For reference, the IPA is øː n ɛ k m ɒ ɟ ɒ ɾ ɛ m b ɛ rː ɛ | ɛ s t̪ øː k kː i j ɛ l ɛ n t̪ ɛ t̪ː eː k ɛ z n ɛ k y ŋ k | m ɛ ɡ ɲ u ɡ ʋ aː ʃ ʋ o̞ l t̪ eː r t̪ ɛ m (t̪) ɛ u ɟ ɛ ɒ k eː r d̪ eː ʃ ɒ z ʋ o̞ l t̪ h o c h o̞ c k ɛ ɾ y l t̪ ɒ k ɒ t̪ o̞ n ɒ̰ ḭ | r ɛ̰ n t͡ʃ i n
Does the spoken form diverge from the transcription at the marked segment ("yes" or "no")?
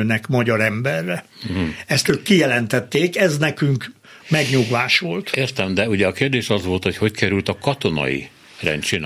yes